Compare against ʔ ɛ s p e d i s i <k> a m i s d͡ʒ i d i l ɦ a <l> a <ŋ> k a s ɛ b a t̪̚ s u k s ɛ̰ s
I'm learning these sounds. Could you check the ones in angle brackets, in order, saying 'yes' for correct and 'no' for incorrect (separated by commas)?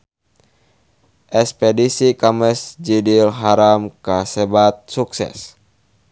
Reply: yes, no, no